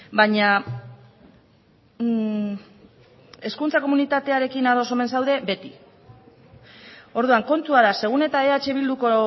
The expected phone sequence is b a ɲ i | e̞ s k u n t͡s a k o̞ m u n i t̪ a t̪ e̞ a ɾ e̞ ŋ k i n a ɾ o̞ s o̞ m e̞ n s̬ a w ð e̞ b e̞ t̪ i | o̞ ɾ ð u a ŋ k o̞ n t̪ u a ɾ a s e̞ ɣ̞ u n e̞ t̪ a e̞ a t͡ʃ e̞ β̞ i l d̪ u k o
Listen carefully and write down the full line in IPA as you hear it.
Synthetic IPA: b a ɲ a | e̞ s k u n t͡s a k o̞ m u n i t̪ a t̪ e̞ a ɾ e̞ k i n a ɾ o̞ s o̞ m e̞ n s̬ a w ð e̞ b e̞ t̪ i | o̞ ɾ ð u a ŋ k o̞ n t̪ u a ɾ a s e̞ ɣ̞ u n e̞ t̪ a e̞ a t͡ʃ e̞ β̞ i l d̪ u k o